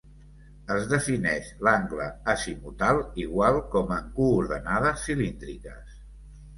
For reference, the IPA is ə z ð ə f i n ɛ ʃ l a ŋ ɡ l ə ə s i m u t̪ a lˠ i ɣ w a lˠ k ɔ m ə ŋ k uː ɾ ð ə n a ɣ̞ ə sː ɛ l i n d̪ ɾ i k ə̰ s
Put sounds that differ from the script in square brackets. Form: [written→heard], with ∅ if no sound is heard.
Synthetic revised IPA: ə z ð ə f i n ɛ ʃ l a ŋ ɡ l ə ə s i m u t̪ a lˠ i ɣ w a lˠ k ɔ m ə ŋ k uː ɾ ð ə n a [ɣ̞→ð̞] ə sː [ɛ→i] l i n d̪ ɾ i k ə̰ s